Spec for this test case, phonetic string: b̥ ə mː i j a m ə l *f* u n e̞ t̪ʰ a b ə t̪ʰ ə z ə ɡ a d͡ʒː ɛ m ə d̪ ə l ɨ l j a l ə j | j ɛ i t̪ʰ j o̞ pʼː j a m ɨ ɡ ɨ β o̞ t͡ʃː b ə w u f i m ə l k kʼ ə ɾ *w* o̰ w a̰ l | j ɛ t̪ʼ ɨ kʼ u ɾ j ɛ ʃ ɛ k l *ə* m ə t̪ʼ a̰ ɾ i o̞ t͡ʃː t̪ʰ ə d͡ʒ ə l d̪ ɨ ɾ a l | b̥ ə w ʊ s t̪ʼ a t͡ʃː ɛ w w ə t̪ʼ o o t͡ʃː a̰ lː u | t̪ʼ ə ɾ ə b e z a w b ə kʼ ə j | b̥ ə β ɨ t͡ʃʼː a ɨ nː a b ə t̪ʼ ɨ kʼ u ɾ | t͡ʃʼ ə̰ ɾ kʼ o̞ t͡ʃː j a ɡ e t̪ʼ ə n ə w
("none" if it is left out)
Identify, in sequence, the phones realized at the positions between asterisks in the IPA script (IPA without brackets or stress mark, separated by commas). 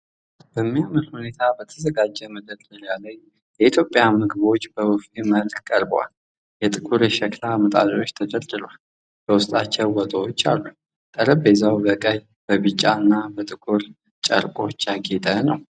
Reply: h, b, a